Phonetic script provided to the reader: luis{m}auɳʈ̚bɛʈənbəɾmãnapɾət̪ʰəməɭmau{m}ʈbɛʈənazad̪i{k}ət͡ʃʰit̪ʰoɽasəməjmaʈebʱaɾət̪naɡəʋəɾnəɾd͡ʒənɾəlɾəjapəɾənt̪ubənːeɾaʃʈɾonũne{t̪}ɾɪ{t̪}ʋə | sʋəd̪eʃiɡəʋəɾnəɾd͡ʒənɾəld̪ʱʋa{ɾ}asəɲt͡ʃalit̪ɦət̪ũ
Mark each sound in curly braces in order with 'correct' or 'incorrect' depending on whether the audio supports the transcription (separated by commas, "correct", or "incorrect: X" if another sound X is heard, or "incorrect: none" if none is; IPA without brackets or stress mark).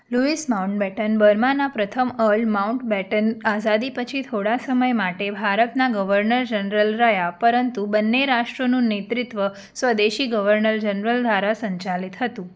correct, incorrect: ɳ, incorrect: p, correct, correct, correct